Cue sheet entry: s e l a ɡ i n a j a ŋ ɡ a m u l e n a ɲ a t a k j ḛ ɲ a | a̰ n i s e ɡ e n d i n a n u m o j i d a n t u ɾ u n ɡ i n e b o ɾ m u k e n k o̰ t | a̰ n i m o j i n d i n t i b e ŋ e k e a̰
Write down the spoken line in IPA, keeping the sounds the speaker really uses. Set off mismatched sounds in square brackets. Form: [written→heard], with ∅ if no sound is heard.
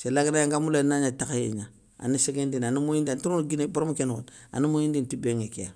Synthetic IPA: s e l a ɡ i n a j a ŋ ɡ a m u l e n a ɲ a t a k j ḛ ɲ a | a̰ n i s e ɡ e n d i n a n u m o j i d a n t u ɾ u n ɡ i n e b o ɾ m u k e n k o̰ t | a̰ n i m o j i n d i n t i b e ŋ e k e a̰